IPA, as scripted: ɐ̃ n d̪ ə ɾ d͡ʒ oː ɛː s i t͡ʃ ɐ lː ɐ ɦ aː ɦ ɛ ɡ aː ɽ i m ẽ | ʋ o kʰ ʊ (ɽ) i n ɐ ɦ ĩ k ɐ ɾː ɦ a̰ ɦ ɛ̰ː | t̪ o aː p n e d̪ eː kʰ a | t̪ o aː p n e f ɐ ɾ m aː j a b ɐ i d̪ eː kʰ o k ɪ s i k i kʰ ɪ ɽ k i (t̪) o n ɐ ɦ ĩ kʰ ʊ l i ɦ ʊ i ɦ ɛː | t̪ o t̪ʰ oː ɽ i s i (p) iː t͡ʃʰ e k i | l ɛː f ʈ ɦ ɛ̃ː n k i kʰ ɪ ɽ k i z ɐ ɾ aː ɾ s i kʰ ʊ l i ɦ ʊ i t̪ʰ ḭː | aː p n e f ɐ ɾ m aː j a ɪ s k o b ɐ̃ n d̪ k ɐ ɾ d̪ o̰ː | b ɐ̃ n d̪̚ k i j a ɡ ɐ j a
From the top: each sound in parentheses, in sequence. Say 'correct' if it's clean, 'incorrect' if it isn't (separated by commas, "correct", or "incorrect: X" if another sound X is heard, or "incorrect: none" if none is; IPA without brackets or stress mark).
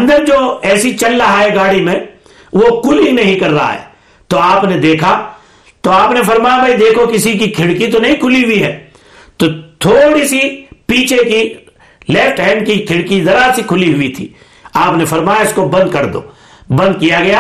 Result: incorrect: l, correct, correct